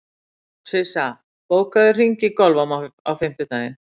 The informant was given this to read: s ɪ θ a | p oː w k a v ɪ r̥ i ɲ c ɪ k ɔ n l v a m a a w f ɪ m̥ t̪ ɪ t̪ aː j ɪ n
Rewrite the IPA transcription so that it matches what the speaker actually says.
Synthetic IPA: s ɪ s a | p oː w k a ð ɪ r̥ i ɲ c ɪ k ɔ l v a m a a w f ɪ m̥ t̪ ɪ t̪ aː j ɪ n